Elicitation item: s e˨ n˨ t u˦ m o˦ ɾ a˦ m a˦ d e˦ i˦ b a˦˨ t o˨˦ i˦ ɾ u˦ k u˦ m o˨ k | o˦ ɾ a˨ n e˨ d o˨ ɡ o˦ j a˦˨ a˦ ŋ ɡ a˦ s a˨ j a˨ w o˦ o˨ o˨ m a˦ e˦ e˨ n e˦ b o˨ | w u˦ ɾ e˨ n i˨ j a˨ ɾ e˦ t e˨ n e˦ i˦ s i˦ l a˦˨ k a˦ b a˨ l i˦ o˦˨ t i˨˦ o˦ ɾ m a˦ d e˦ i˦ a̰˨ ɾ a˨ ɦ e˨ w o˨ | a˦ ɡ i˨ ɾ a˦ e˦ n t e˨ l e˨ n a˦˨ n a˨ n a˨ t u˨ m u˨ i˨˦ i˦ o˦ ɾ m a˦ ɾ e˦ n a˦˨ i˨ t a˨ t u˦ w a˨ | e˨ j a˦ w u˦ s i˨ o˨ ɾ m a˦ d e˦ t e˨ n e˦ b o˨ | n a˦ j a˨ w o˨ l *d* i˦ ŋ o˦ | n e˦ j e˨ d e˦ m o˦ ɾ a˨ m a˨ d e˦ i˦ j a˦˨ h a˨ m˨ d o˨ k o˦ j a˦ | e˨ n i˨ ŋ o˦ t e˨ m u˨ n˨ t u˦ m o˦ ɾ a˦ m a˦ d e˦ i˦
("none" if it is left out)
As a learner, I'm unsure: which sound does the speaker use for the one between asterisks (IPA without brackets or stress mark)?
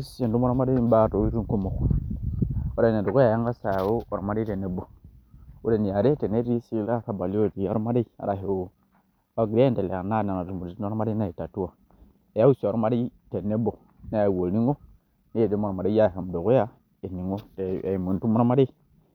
n